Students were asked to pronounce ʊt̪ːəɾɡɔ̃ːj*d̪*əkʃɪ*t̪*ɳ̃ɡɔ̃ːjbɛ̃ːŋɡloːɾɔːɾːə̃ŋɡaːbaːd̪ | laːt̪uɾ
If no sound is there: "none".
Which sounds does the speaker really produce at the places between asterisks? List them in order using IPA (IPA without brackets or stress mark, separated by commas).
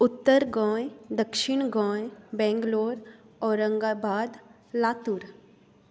d̪, none